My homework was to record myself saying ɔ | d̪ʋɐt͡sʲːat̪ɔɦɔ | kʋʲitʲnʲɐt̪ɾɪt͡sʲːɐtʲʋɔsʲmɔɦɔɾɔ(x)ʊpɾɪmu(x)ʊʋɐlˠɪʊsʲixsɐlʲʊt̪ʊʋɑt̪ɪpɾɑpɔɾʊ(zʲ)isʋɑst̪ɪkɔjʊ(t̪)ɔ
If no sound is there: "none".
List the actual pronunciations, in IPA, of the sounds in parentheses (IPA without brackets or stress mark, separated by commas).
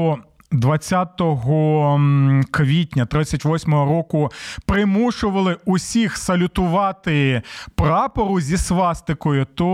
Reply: k, ʃ, zʲ, t̪